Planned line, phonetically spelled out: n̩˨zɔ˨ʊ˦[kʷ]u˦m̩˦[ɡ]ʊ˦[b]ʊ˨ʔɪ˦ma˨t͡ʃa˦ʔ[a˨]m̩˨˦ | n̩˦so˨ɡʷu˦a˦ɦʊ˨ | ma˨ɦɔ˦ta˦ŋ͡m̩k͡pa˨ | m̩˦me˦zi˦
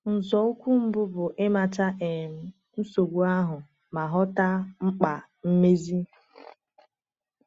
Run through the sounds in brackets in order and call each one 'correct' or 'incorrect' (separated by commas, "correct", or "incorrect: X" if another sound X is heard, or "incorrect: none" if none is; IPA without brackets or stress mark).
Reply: correct, incorrect: b, correct, incorrect: e˨